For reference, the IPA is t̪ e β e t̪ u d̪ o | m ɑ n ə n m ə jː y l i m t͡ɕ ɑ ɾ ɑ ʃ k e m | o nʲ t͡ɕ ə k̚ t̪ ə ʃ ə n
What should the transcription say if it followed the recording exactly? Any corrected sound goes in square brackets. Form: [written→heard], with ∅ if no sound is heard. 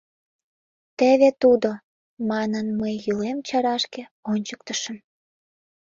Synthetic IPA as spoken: t̪ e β e t̪ u d̪ o | m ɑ n ə n m ə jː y l [i→e] m t͡ɕ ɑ ɾ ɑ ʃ k e [m→∅] | o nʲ t͡ɕ ə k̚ t̪ ə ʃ ə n